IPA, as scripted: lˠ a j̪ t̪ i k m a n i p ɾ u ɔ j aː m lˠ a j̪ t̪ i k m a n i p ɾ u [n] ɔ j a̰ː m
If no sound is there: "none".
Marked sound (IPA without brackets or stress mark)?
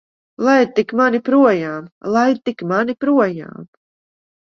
none